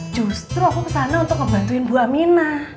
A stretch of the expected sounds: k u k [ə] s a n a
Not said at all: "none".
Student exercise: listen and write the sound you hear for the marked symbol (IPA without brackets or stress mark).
ə